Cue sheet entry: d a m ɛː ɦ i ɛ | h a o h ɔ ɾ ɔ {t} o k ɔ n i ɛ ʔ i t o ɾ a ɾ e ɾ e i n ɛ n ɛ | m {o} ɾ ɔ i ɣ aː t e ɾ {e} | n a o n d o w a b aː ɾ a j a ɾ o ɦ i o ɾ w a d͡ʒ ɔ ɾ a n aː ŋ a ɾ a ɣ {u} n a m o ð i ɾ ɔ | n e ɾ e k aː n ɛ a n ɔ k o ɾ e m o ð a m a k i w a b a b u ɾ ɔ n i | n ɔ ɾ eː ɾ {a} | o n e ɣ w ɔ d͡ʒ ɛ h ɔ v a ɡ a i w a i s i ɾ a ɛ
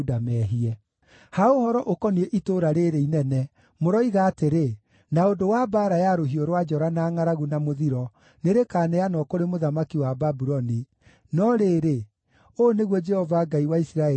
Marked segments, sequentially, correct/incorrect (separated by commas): incorrect, correct, correct, correct, incorrect